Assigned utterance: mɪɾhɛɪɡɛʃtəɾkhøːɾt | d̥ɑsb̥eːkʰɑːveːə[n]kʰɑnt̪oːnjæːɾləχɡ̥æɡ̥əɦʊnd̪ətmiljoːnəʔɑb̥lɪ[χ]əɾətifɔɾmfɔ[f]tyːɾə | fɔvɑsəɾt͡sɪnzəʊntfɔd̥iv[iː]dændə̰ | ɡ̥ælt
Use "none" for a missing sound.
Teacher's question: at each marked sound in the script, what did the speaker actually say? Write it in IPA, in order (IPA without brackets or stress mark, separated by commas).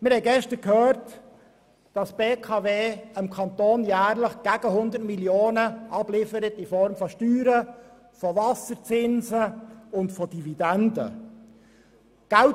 m, f, ʃ, i